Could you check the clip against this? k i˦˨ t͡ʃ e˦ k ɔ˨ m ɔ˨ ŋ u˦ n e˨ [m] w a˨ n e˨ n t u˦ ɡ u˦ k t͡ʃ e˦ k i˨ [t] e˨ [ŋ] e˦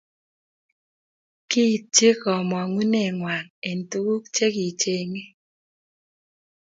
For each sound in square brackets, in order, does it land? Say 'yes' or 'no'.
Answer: no, no, yes

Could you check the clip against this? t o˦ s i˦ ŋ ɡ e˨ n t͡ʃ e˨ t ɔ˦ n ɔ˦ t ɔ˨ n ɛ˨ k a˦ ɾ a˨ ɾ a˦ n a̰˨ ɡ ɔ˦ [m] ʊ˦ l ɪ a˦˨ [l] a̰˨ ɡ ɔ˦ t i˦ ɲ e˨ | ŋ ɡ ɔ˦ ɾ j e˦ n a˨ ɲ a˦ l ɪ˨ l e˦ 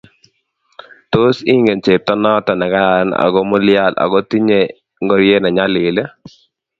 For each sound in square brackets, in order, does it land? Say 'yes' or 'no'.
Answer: yes, yes

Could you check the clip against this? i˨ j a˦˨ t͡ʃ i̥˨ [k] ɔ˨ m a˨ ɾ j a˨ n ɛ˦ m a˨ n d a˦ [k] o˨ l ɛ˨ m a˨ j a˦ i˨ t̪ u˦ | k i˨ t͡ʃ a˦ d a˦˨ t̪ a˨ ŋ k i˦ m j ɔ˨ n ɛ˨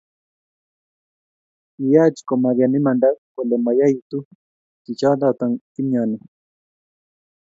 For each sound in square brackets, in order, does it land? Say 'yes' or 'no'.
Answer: yes, yes

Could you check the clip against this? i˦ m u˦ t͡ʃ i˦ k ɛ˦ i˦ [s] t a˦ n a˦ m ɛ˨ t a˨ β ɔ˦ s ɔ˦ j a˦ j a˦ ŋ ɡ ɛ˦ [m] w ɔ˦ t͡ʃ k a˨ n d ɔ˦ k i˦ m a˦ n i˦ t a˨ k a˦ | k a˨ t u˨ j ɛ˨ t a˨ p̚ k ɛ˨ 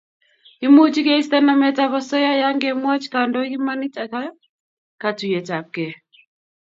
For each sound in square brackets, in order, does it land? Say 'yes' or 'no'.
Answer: yes, yes

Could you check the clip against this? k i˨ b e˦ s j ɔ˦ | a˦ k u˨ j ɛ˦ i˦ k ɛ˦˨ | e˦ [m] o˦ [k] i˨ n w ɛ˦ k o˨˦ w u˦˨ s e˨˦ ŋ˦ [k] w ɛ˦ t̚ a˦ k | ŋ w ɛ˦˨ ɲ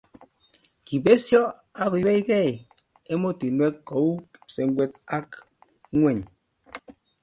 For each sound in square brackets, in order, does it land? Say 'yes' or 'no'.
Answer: yes, no, no

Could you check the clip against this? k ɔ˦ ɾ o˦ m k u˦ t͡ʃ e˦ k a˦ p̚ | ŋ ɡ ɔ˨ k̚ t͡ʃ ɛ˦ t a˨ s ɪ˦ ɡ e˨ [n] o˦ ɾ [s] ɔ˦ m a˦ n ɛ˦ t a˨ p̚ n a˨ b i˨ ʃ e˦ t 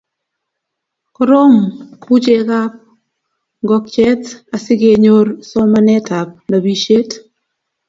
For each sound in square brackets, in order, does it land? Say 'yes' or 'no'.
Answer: no, yes

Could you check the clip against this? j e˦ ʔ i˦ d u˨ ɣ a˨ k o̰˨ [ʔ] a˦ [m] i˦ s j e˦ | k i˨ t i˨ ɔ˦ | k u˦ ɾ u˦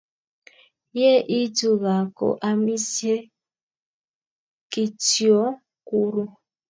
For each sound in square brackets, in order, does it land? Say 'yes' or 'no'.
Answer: yes, yes

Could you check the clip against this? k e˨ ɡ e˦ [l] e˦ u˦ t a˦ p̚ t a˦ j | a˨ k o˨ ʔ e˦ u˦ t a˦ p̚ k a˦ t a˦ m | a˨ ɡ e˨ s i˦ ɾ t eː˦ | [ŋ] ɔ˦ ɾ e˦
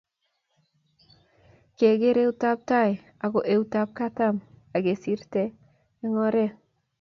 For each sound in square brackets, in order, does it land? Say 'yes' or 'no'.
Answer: no, yes

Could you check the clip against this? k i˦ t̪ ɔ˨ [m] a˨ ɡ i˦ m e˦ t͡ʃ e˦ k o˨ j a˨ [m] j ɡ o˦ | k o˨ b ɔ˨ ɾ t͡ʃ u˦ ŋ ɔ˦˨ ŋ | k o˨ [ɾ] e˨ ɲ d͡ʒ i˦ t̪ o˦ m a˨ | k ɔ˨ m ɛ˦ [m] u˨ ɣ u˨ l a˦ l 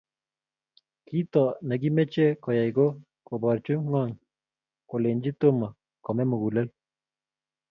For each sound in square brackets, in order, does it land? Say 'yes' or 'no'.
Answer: no, no, no, yes

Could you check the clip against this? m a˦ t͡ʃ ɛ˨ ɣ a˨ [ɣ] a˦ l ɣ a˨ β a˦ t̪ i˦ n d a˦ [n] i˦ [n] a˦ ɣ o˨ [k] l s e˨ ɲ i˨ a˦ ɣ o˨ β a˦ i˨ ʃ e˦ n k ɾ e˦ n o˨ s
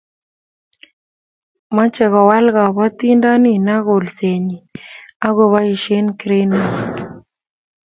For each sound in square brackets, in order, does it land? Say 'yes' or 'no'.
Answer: no, yes, yes, no

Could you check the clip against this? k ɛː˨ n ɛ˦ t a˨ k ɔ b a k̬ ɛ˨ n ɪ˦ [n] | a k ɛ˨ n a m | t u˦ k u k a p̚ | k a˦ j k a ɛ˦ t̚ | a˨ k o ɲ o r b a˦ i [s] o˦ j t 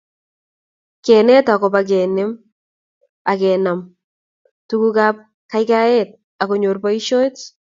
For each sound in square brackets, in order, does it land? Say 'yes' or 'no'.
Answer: no, no

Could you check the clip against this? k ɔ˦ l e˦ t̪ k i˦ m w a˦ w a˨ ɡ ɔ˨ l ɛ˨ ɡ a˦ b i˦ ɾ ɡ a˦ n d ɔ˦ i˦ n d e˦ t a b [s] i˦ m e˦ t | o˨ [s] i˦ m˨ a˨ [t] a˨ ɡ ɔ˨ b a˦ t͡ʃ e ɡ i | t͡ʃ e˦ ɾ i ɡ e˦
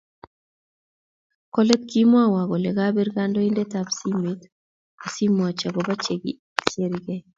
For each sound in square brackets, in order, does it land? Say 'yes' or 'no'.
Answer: yes, yes, no

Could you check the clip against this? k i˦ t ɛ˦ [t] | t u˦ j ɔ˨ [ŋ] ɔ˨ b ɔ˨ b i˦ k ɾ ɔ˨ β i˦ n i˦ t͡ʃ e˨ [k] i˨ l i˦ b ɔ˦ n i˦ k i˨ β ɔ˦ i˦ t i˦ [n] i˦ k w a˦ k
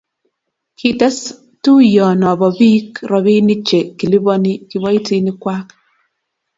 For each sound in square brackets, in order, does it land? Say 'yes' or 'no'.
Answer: no, no, yes, yes

